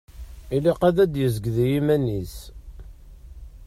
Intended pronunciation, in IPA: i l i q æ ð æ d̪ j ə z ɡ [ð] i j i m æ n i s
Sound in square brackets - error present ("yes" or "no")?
no